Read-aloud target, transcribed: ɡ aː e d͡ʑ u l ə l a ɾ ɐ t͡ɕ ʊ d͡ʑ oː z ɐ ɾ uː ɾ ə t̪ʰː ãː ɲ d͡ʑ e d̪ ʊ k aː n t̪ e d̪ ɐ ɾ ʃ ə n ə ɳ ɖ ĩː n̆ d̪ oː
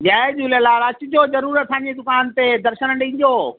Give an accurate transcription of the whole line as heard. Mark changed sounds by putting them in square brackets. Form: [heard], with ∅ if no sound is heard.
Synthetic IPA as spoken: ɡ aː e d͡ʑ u l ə l a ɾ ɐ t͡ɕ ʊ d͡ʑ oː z ɐ ɾ uː ɾ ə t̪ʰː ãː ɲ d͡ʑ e d̪ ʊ k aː n t̪ e d̪ ɐ ɾ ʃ ə n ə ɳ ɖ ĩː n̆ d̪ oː